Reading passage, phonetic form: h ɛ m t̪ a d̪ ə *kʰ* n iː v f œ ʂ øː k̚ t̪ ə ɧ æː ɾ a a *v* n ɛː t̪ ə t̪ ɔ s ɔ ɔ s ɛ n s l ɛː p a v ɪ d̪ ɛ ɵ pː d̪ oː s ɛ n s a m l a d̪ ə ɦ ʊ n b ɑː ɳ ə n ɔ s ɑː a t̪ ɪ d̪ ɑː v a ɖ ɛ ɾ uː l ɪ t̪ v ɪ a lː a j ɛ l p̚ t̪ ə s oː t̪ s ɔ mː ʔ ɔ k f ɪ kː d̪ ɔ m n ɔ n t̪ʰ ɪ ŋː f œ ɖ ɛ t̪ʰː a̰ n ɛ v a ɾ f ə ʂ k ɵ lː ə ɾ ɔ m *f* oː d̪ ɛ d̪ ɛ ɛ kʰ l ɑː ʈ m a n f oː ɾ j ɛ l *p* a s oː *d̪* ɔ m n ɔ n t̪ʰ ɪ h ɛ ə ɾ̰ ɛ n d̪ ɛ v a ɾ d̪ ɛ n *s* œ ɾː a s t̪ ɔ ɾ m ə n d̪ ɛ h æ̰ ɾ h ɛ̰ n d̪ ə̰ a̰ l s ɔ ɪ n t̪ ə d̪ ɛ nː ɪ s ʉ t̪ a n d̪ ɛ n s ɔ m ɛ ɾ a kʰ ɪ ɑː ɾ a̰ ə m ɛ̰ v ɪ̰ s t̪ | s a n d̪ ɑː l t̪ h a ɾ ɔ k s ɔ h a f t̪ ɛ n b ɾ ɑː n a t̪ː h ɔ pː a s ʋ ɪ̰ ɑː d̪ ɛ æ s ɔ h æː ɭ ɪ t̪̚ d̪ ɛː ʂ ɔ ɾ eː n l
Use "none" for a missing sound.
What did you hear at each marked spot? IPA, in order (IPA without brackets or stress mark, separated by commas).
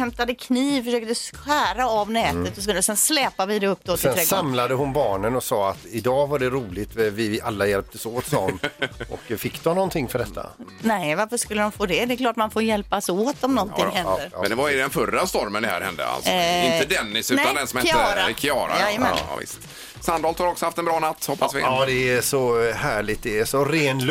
kʰ, v, f, p, t̪, f